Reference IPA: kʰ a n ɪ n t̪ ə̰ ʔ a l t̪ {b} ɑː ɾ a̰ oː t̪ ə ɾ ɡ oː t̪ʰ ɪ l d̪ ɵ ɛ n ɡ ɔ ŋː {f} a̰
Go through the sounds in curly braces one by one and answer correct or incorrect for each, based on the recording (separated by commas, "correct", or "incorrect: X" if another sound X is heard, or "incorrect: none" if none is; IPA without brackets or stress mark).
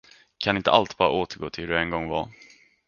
correct, incorrect: v